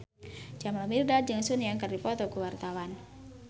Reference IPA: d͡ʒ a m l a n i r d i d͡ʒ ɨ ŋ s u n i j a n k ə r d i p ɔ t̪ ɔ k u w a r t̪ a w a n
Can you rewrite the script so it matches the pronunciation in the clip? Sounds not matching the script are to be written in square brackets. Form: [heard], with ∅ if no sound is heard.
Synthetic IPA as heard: d͡ʒ a m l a [m] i r d [a] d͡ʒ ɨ ŋ s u n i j a [ŋ] k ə r d i p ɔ t̪ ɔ k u w a r t̪ a w a n